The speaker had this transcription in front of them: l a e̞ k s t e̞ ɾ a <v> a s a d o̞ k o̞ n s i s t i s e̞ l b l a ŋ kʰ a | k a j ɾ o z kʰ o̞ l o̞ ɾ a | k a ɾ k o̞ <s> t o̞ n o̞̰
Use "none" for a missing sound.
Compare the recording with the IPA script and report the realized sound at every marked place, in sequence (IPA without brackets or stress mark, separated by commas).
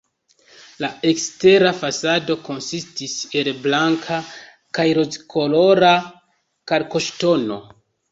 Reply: f, ʃ